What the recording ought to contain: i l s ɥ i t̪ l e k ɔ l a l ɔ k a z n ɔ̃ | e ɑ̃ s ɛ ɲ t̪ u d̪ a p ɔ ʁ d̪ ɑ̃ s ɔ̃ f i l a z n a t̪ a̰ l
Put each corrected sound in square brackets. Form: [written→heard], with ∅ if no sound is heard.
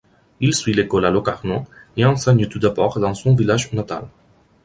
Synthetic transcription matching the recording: i l s ɥ i [t̪→∅] l e k ɔ l a l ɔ k a [z→ʁ] n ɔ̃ | e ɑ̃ s ɛ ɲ t̪ u d̪ a [p→b] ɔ ʁ d̪ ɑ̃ s ɔ̃ [f→v] i l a [z→ʒ] n a t̪ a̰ l